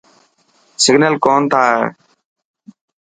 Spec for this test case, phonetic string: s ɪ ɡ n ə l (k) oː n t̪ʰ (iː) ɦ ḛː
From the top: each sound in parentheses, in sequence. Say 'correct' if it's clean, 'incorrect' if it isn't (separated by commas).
correct, incorrect